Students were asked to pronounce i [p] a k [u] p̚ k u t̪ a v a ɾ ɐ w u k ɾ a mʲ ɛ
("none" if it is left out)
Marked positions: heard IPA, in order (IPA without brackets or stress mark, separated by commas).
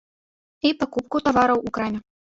p, u